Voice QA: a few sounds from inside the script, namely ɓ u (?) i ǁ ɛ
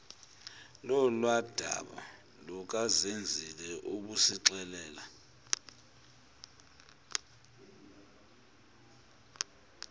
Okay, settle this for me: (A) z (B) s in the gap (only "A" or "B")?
B